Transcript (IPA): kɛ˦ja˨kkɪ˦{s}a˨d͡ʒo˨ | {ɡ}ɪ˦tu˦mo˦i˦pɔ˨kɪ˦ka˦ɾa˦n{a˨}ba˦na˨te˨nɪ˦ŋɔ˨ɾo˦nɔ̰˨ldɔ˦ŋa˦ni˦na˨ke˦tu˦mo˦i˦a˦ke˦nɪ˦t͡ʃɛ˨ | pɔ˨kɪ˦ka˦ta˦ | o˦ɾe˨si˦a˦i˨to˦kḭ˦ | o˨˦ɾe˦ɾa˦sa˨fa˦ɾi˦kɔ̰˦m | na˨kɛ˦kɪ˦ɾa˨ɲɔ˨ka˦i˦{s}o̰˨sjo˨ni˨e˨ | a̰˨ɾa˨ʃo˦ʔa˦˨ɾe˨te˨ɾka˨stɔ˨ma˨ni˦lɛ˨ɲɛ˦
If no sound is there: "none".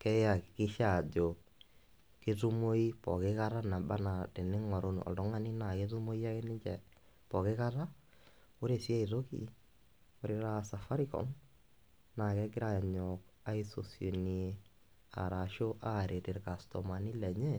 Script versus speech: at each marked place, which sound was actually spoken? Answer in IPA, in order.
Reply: ʃ, k, a˨, s

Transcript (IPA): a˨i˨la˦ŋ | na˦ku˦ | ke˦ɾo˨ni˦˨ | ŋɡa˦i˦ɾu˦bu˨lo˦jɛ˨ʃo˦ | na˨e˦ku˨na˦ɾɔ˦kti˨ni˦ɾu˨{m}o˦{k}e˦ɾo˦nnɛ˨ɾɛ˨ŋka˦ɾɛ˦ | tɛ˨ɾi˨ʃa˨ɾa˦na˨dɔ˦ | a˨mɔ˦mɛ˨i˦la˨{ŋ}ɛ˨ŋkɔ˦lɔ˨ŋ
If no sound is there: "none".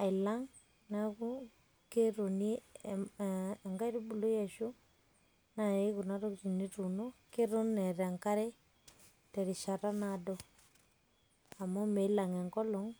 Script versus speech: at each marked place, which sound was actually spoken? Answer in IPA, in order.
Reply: n, k, ŋ

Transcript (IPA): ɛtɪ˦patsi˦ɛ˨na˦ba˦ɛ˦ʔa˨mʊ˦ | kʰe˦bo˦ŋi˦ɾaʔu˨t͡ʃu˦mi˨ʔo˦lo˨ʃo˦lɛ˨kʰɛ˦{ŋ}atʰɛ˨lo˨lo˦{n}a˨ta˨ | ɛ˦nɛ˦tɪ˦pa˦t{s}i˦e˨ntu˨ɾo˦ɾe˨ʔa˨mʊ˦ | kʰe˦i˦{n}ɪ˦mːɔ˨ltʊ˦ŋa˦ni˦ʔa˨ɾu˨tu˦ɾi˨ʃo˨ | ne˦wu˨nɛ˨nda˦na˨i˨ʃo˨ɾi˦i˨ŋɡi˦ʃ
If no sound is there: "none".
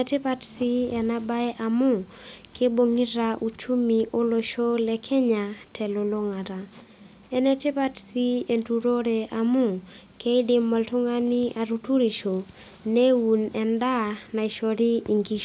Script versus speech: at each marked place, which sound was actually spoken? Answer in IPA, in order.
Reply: ɲ, ŋ, s, d

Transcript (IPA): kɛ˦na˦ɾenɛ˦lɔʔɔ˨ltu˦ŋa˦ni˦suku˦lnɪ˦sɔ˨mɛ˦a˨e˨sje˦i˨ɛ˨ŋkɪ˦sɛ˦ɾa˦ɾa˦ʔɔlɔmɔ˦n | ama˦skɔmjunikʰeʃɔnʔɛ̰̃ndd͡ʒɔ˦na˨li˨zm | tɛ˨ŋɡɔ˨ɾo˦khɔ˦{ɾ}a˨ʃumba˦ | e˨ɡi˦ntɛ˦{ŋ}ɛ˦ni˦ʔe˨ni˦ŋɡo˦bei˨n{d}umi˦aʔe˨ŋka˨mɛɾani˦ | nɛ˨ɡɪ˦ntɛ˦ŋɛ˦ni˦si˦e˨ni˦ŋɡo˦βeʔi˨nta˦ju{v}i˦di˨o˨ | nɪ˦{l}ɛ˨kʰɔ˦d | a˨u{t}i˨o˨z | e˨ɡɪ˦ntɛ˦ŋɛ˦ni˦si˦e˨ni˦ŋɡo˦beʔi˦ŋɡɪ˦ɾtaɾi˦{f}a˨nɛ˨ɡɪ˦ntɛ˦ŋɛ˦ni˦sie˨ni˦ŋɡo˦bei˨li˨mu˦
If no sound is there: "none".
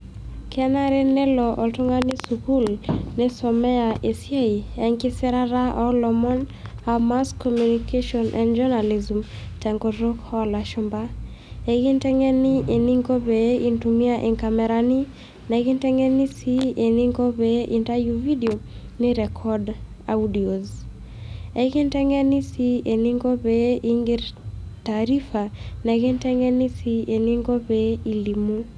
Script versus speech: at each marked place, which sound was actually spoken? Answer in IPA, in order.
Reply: l, ŋ, t, v, ɾ, d, f

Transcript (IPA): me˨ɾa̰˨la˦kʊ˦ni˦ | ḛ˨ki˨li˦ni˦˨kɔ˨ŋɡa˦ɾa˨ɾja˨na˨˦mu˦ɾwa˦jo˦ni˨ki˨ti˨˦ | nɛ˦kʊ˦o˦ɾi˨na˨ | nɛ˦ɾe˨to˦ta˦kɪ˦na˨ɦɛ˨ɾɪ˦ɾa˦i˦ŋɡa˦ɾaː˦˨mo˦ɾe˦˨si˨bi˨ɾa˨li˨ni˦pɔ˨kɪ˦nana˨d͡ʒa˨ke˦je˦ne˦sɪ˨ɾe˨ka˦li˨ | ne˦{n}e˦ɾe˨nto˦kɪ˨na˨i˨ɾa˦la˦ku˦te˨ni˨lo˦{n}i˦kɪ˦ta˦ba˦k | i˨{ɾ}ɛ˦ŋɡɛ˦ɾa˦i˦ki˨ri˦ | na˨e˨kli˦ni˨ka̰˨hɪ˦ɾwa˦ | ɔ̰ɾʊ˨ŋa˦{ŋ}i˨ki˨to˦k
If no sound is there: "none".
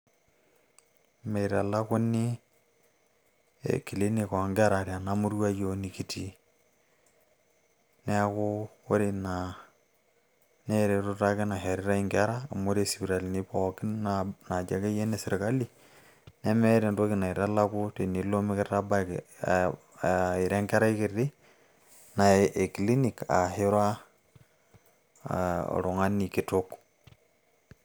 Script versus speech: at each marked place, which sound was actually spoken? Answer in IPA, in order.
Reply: m, m, ɾ, n

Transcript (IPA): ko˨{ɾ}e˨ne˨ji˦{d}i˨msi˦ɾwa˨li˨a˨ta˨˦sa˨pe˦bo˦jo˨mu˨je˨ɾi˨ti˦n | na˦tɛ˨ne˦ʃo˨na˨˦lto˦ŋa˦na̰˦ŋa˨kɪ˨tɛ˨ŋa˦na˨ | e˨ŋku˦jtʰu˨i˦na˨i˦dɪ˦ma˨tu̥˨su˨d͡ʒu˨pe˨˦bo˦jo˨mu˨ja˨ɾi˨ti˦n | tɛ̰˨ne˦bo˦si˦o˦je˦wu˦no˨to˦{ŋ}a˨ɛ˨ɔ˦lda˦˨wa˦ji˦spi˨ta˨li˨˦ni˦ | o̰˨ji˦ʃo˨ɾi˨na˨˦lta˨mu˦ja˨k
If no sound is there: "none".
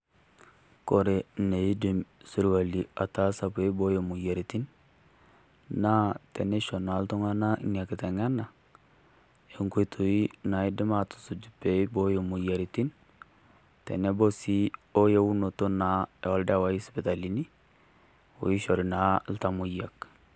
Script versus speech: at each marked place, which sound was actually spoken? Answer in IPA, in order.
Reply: ɾ, d, n

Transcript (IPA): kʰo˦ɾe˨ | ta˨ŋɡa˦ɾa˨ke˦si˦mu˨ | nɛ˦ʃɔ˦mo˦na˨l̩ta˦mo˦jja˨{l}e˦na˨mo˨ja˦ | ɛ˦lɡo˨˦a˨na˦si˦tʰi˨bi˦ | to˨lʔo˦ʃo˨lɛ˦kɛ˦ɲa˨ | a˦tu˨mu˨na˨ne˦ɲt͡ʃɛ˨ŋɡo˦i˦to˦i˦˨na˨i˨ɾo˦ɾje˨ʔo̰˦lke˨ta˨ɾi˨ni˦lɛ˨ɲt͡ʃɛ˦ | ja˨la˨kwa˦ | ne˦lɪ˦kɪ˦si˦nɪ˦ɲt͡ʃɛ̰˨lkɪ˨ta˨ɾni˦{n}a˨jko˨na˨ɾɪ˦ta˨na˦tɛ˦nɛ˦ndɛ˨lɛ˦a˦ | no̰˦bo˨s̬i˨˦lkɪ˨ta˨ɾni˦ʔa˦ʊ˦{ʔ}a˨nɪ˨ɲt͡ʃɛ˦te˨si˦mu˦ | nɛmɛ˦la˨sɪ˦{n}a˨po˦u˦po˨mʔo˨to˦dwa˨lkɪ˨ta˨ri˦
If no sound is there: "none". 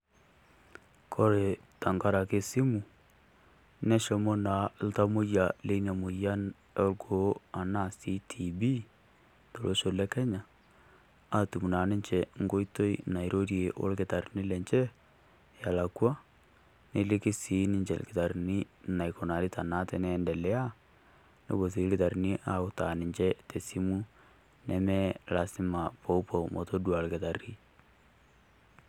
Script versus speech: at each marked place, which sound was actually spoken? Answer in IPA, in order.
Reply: l, n, t, m

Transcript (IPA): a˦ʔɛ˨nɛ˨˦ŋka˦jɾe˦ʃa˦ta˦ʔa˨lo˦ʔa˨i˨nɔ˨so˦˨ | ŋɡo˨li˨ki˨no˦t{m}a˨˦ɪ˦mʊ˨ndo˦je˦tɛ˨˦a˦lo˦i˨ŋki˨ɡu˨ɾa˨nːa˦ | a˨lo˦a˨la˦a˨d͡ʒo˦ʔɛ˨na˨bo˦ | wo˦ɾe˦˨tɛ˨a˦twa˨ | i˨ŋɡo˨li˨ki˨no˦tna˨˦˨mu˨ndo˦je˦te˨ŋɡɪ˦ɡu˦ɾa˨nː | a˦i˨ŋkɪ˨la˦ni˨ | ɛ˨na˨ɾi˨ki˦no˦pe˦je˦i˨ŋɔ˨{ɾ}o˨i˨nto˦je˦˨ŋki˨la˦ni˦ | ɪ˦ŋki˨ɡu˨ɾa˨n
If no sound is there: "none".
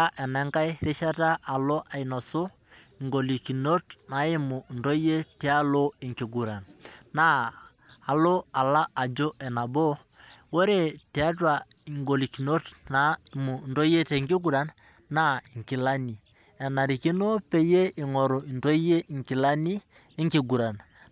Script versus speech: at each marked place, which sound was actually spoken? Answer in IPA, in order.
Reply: n, ɾ

